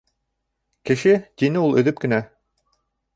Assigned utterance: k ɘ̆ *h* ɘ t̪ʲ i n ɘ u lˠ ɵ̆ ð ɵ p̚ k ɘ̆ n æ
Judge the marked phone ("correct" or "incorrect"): incorrect